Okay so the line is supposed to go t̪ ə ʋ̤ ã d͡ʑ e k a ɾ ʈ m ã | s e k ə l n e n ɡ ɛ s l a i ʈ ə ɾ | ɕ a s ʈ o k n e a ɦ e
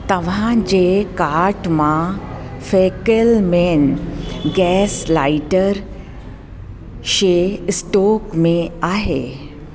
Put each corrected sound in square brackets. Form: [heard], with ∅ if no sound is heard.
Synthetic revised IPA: t̪ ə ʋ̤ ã d͡ʑ e k a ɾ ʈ m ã | [f] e k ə l [m] e n ɡ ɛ s l a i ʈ ə ɾ | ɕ [e] s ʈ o k [m] e a ɦ e